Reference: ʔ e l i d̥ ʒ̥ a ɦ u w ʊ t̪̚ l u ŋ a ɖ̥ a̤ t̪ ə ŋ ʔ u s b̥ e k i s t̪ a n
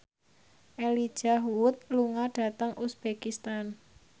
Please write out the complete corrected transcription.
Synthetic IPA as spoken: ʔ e l i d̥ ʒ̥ a ɦ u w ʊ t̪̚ l u ŋ a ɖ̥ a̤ t̪ ə ŋ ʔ u s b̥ e k i s t̪ a n